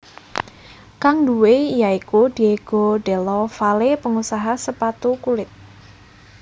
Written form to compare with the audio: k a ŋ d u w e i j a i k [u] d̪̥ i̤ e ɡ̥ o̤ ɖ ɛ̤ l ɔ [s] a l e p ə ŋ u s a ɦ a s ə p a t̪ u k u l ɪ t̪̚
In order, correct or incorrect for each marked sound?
correct, incorrect

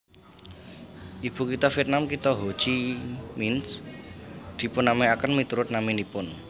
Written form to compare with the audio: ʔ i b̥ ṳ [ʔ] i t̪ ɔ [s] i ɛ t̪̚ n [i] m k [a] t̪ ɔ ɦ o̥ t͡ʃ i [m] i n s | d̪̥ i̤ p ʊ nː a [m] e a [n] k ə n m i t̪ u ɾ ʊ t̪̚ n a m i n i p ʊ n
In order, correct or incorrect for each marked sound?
incorrect, incorrect, incorrect, incorrect, correct, correct, incorrect

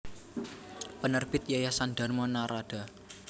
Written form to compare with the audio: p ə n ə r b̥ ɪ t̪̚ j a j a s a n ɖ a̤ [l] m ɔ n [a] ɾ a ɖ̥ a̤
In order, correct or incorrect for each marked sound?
incorrect, correct

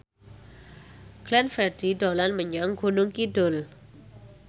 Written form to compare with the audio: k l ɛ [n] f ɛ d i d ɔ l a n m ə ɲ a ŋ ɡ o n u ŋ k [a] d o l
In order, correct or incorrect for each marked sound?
correct, incorrect

